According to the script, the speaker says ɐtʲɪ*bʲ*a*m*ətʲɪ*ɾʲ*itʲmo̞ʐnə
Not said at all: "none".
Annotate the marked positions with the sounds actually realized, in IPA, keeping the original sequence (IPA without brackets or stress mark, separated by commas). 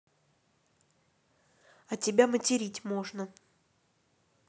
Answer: bʲ, m, ɾʲ